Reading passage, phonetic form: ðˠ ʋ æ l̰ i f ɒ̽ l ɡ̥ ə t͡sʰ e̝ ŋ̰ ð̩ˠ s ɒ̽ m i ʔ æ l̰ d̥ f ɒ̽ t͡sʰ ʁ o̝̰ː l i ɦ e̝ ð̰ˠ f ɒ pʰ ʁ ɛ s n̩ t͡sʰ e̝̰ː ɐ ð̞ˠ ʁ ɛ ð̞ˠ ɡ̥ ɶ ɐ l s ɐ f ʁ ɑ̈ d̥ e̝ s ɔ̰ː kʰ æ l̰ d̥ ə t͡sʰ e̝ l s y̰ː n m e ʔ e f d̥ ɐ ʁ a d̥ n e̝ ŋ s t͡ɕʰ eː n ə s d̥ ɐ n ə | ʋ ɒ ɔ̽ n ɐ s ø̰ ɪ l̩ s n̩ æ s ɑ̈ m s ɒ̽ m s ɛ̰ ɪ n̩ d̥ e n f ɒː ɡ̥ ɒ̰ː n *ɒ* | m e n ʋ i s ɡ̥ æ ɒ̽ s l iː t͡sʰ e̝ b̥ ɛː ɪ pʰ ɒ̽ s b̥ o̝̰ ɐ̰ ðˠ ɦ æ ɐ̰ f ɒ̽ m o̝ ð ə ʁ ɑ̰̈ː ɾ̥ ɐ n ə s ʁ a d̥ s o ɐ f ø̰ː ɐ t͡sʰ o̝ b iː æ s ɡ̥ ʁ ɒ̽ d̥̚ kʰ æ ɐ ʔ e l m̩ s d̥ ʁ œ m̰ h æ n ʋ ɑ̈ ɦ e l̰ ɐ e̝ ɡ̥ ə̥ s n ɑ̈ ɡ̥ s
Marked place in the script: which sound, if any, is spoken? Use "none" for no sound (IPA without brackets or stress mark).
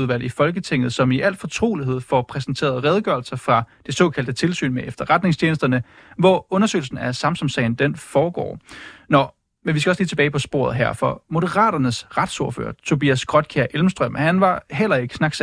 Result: ɒ